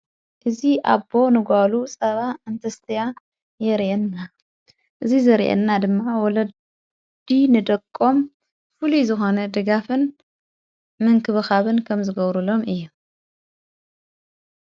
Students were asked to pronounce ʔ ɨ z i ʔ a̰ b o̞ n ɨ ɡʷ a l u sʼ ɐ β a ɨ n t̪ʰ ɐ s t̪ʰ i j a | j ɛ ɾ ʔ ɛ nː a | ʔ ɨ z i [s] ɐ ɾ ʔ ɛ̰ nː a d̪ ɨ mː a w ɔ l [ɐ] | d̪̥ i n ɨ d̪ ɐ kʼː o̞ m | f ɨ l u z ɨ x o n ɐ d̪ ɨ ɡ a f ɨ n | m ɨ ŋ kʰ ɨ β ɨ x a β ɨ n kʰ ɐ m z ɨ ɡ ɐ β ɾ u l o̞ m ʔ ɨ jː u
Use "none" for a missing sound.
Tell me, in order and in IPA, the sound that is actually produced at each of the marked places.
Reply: z, ɐ

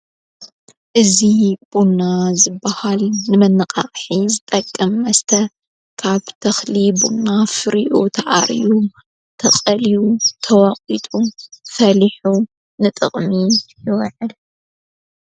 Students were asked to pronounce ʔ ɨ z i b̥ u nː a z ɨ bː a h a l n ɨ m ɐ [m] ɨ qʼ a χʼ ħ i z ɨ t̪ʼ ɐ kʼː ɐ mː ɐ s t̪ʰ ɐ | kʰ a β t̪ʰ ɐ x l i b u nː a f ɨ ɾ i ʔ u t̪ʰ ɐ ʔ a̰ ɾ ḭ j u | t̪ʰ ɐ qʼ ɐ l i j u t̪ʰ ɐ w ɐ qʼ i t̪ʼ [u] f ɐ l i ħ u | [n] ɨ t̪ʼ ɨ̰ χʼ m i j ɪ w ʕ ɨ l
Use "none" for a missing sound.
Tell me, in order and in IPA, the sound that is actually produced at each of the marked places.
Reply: n, u, n

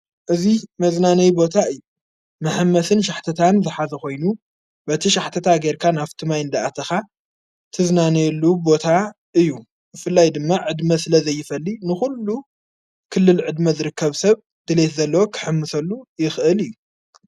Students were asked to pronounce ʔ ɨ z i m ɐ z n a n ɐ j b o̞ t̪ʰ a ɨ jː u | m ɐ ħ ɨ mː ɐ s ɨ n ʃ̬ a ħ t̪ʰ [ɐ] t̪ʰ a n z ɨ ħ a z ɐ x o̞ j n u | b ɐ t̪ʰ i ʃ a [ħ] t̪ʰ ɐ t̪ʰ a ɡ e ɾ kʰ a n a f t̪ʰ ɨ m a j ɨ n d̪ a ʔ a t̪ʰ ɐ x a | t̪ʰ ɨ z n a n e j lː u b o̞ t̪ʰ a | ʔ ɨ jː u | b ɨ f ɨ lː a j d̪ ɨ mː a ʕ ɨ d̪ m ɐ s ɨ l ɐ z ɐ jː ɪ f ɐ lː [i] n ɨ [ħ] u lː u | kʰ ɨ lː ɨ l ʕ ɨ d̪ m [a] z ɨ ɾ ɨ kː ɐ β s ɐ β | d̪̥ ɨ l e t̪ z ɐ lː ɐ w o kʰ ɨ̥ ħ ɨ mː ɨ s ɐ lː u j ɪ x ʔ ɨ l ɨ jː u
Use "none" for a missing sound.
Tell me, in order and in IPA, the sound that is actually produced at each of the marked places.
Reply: ɐ, ħ, i, x, ɐ

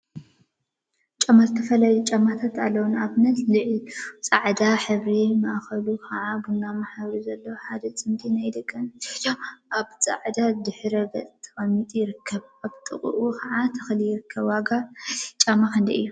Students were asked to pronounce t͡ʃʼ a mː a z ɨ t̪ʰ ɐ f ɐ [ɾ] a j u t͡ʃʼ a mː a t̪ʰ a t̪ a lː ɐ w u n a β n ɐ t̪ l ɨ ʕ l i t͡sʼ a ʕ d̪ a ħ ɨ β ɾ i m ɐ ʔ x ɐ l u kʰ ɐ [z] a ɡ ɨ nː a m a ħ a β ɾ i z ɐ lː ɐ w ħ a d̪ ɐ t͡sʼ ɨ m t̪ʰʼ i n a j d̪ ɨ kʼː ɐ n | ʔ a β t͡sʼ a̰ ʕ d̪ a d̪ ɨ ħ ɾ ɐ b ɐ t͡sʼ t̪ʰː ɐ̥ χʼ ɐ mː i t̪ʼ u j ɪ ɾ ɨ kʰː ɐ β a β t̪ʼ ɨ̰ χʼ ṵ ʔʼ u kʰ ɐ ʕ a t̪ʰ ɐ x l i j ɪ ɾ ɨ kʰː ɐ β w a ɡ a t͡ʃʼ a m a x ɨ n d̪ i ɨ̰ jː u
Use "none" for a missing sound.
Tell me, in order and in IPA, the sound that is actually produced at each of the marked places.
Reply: l, ʕ

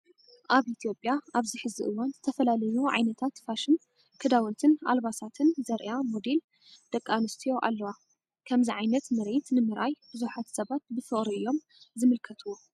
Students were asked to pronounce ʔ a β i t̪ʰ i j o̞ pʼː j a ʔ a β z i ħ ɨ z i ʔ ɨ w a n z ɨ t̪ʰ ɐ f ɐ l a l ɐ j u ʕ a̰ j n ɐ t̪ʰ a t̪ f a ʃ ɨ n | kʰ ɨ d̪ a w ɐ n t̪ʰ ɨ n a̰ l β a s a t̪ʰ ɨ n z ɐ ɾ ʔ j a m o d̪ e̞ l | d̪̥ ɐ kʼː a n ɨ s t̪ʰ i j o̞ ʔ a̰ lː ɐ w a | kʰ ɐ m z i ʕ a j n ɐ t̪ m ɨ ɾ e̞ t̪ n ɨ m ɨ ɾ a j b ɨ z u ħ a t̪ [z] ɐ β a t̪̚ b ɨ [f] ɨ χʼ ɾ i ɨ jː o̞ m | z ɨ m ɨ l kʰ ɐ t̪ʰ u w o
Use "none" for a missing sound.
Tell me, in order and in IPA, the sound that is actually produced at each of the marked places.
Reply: s, f

